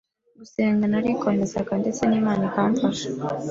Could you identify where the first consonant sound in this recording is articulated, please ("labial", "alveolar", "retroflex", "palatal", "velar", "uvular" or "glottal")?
velar